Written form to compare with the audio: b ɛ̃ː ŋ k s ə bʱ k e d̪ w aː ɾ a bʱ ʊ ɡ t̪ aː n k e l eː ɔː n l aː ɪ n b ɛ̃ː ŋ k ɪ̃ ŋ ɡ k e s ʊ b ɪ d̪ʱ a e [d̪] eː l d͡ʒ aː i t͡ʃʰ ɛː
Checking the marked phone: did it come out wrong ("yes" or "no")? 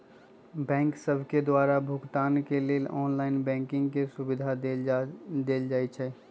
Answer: no